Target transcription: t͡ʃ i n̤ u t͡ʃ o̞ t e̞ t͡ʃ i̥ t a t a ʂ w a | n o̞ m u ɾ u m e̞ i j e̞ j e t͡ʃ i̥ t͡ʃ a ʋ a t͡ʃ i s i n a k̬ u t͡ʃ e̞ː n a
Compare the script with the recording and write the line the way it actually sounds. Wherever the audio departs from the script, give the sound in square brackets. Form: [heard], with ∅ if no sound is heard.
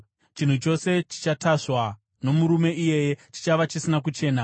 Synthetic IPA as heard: t͡ʃ i n̤ u t͡ʃ o̞ [s] e̞ t͡ʃ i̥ [t͡ʃ] a t a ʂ w a | n o̞ m u ɾ u m e̞ i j e̞ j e t͡ʃ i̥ t͡ʃ a ʋ a t͡ʃ i s i n a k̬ u t͡ʃ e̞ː n a